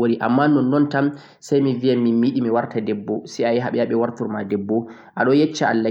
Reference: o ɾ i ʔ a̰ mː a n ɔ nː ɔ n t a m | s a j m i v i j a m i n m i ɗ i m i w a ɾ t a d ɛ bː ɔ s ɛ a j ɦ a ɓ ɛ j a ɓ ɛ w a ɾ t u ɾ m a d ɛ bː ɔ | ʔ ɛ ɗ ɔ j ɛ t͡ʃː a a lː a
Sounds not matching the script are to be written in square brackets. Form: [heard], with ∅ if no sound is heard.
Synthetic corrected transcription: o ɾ i ʔ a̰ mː a n ɔ nː ɔ n t a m | s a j m i v i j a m i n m i ɗ i m i w a ɾ t a d ɛ bː ɔ s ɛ a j ɦ a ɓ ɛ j a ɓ ɛ w a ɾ t u ɾ m a d ɛ bː ɔ | ʔ [a] ɗ ɔ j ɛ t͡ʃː a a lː a